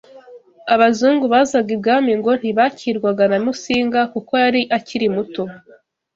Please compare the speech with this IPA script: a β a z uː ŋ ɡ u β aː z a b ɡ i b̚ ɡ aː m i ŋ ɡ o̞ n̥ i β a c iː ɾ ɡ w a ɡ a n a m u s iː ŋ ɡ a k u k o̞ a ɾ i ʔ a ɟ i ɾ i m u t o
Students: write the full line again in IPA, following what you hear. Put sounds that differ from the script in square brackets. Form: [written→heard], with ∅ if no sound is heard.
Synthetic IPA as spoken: a β a z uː ŋ ɡ u β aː z a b ɡ i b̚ ɡ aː m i ŋ ɡ o̞ n̥ i β a c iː ɾ ɡ w a ɡ a n a m u s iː ŋ ɡ a k u k o̞ a ɾ i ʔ a [ɟ→c] i ɾ i m u t o